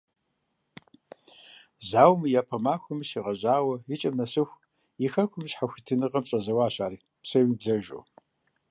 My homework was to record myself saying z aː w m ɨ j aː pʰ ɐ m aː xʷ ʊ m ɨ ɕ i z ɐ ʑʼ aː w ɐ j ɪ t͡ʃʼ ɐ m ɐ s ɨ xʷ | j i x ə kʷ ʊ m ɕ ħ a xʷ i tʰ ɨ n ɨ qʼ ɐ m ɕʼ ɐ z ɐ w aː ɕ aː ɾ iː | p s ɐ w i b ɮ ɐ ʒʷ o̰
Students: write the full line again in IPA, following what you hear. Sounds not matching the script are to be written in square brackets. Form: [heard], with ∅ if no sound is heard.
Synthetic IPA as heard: z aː w m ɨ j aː pʰ ɐ m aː xʷ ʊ m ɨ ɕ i [ʁ] ɐ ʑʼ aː w ɐ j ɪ t͡ʃʼ ɐ m ɐ s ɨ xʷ | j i x [ɐ] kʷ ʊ m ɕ ħ a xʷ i tʰ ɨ n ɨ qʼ ɐ m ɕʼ ɐ z ɐ w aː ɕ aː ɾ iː | p s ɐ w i b ɮ ɐ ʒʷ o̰